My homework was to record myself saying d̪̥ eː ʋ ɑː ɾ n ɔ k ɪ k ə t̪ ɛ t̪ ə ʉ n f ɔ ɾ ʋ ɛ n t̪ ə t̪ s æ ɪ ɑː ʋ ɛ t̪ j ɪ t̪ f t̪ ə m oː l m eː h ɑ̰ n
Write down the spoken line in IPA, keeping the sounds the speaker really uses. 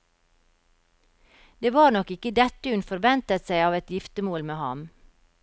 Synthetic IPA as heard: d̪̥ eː ʋ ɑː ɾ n ɔ k ɪ k ə d̪ ɛ t̪ ə ʉ n f ɔ ɾ ʋ ɛ n t̪ ə t̪ s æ ɪ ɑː ʋ ɛ t̪ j ɪ f t̪ ə m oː l m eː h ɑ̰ m